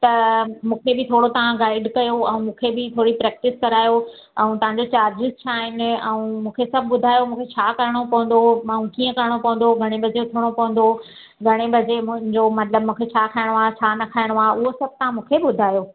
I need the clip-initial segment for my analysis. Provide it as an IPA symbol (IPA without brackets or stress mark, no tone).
t̪